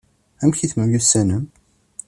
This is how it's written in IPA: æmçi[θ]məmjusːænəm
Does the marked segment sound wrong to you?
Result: no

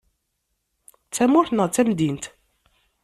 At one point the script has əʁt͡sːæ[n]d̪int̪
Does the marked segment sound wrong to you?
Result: yes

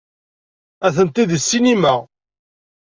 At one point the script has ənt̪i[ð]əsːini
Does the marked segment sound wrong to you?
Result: no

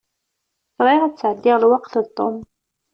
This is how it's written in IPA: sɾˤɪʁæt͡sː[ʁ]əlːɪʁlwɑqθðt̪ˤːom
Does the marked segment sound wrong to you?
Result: yes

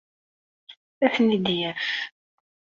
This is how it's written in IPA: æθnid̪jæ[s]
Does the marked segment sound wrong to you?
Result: yes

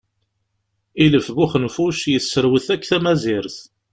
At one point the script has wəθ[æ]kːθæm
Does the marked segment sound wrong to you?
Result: no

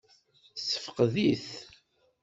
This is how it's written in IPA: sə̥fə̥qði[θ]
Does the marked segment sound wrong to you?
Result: no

